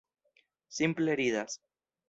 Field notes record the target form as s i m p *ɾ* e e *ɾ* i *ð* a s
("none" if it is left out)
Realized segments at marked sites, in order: l, ɾ, ð

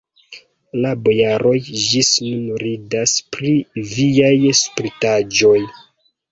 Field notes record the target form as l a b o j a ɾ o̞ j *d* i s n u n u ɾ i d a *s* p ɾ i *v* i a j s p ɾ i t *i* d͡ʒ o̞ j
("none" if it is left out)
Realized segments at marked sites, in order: d͡ʒ, s, v, a

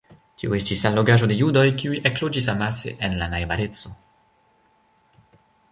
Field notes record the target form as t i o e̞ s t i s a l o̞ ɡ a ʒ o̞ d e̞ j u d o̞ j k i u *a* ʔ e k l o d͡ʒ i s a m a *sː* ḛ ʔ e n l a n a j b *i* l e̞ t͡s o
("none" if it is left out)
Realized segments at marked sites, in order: i, s, a

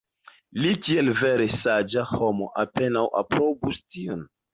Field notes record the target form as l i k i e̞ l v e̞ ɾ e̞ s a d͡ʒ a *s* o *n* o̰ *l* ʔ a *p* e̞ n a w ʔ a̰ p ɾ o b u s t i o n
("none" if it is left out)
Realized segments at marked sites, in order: h, m, none, p

